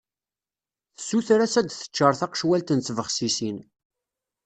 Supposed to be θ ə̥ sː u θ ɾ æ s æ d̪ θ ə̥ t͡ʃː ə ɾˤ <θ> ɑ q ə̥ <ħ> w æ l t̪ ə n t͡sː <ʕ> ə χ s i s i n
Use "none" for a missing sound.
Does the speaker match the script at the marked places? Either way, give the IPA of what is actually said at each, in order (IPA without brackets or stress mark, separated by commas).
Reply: θ, ʃ, v